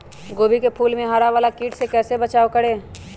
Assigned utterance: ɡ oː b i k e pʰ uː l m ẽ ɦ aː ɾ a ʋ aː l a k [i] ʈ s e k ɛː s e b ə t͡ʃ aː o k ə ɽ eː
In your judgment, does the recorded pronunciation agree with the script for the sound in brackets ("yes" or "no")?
no